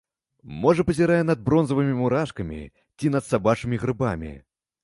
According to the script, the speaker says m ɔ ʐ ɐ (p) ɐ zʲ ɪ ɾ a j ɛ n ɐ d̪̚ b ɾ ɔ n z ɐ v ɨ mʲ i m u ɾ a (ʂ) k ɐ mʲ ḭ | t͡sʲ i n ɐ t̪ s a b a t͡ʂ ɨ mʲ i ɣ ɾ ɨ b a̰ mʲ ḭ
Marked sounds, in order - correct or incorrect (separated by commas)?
correct, correct